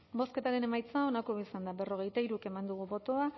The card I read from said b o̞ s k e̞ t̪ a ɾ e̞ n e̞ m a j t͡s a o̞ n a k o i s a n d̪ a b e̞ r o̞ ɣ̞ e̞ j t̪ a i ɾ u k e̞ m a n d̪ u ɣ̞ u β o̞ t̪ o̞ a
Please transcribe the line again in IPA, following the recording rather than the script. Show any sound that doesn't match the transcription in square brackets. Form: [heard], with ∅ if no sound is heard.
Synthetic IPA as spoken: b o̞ s k e̞ t̪ a ɾ e̞ n e̞ m a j t͡s a o̞ n a k o i s a n d̪ a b e̞ r o̞ ɣ̞ e̞ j t̪ a i ɾ u k e̞ m a n d̪ u ɣ̞ u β o̞ t̪ o̞ a